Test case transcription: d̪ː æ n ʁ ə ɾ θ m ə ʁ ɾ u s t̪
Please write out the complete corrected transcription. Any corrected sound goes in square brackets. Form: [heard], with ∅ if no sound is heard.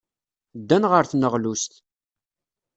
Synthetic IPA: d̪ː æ n ʁ ə ɾ θ [n] ə ʁ [l] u s t̪